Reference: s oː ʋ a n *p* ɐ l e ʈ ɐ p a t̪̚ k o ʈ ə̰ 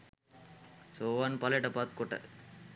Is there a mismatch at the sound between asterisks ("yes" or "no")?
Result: no